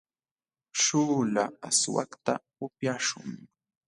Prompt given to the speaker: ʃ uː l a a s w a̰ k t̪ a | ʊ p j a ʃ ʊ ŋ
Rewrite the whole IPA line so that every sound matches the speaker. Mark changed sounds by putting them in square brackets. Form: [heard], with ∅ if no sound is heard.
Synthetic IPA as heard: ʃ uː l a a s w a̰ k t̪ a | ʊ p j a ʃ ʊ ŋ